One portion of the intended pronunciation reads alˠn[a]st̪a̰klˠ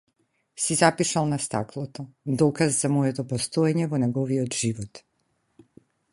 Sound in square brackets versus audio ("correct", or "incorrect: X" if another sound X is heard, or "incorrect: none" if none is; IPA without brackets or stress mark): correct